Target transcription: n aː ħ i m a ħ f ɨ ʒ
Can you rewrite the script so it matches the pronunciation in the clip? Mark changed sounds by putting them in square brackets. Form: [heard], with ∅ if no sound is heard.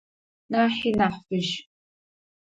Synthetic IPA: n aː ħ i [n] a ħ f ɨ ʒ